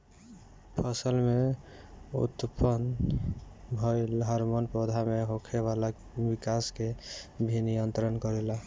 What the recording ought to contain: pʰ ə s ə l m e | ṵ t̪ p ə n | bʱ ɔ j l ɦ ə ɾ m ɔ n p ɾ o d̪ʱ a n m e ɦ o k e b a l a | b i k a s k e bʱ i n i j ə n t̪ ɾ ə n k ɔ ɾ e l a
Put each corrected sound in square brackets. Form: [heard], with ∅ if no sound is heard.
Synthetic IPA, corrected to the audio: pʰ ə s ə l m e | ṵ t̪ p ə n | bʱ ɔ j l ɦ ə ɾ m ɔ n p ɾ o d̪ʱ a [∅] m e ɦ o [kʰ] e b a l a | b i k a s k e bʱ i n i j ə n t̪ ɾ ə n k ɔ ɾ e l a